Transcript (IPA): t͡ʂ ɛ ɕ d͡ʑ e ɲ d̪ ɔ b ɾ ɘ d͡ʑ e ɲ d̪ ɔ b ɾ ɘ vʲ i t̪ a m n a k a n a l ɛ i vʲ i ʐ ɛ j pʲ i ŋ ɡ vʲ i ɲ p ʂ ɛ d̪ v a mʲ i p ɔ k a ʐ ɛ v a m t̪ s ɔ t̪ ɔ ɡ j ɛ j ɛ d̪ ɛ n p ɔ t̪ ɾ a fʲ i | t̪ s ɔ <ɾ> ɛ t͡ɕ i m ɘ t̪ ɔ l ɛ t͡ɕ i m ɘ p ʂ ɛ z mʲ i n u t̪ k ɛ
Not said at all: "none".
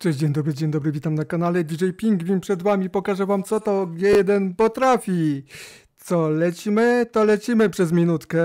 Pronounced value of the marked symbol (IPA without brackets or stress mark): l